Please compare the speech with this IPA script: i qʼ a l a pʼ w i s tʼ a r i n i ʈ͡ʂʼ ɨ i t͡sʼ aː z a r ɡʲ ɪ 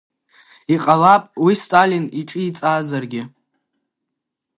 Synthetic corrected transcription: i qʼ a l a pʼ w i s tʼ a l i n i ʈ͡ʂʼ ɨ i t͡sʼ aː z a r ɡʲ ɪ